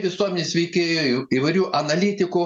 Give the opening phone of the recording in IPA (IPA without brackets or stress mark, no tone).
ʋʲ